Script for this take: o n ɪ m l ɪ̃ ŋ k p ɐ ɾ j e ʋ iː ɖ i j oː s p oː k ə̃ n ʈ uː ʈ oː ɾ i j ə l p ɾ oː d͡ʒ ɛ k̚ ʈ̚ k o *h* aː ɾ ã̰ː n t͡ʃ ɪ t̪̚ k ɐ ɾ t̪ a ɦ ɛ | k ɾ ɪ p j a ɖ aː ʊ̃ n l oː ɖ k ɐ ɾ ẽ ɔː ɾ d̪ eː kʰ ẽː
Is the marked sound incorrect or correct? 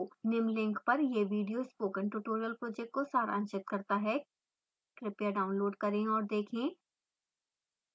incorrect